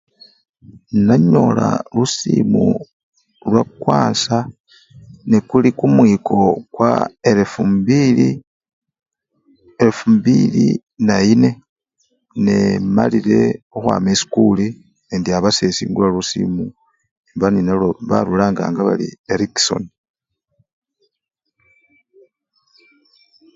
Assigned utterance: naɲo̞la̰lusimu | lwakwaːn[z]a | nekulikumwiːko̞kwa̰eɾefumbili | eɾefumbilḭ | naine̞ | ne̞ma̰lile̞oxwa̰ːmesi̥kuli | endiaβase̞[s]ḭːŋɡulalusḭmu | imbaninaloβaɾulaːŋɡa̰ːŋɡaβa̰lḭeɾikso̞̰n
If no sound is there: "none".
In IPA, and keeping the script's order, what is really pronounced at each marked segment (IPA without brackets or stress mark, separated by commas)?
s, s